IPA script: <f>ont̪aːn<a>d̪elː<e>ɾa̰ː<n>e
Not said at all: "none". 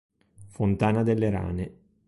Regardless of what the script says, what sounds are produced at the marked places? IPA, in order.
f, a, e, n

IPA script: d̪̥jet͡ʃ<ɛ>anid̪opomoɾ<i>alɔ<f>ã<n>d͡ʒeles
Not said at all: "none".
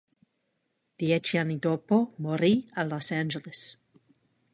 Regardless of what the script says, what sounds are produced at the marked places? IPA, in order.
i, i, s, n

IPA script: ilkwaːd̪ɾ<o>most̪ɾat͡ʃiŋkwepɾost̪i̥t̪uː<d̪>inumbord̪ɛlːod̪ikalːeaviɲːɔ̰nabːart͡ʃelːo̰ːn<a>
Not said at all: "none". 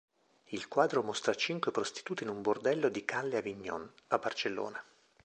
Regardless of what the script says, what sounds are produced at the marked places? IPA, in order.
o, t̪, a

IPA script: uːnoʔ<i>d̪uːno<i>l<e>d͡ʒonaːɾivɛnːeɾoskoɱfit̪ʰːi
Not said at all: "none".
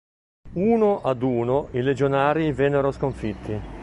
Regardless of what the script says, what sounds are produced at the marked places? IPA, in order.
a, i, e

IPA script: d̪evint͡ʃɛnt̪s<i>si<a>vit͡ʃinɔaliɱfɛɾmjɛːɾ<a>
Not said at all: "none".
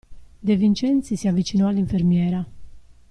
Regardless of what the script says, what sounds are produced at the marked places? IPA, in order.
i, a, a

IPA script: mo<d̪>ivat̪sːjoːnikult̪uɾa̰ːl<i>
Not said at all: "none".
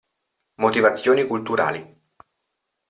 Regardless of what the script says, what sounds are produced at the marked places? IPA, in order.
t̪, i

